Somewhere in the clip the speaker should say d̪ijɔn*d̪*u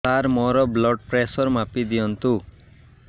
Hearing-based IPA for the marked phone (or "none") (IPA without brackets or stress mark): t̪